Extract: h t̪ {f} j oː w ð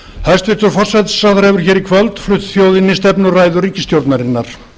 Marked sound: incorrect: θ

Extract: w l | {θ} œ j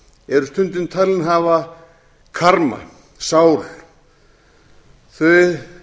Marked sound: correct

